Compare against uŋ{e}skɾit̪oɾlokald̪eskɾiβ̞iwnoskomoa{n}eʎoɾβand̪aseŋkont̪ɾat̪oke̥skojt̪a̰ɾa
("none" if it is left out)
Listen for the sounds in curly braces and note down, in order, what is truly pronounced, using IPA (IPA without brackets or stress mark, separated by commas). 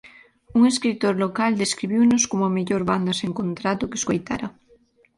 e, m